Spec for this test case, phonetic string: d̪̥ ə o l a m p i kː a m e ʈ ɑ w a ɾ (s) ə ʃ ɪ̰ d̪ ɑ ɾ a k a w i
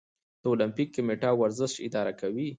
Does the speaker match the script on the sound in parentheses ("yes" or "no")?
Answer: no